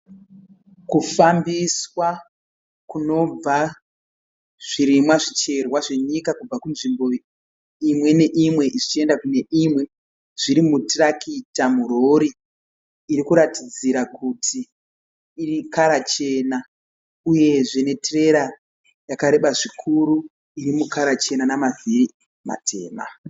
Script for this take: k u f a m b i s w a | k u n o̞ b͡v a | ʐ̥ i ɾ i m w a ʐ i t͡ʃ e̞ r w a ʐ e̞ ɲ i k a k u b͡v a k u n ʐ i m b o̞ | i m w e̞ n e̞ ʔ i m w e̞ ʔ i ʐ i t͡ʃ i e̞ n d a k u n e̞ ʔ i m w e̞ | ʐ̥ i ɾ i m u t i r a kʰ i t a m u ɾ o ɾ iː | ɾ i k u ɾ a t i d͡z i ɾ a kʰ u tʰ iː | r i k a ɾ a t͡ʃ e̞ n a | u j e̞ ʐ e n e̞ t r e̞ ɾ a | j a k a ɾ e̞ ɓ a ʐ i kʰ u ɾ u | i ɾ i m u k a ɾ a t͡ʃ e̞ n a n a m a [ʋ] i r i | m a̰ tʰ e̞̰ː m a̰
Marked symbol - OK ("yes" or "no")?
no